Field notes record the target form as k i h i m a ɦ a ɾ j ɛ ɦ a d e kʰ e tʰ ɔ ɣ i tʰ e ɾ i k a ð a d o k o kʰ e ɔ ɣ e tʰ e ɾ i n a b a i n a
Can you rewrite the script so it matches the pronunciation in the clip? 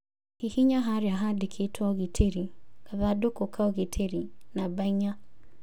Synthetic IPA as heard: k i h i ɲ a ɦ a ɾ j a ɦ a d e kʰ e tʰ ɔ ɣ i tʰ e ɾ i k a ð a d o k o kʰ a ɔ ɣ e tʰ e ɾ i n a b a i ɲ a